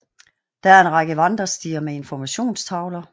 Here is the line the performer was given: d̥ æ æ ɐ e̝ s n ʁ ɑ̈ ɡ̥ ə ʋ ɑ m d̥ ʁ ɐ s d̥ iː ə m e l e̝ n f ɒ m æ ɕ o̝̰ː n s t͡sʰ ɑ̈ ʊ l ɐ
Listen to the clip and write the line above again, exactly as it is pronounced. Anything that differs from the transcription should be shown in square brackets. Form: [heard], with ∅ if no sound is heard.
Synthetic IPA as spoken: d̥ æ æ ɐ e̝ [∅] n ʁ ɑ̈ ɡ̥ ə ʋ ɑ [n] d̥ ʁ ɐ s d̥ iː [ɐ] m e [∅] e̝ n f ɒ m æ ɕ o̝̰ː n s t͡sʰ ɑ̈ ʊ l ɐ